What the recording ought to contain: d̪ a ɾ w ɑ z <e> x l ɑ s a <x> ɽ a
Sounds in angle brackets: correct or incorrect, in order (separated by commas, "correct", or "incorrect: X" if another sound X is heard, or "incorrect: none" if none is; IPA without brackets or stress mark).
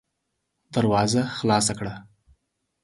incorrect: a, incorrect: k